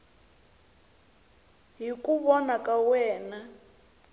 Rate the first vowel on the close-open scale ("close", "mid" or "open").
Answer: close